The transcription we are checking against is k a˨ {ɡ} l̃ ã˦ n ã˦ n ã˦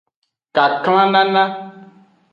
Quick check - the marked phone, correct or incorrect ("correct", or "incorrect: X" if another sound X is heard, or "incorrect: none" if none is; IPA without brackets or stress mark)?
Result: incorrect: k